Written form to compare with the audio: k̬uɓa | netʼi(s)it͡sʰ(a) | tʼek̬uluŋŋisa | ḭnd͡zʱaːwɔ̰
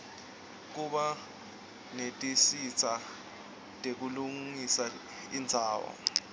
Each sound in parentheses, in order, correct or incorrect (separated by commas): correct, correct